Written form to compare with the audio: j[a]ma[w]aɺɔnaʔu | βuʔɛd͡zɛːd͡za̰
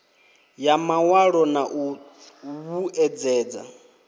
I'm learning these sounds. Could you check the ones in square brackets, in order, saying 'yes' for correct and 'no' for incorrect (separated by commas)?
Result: yes, yes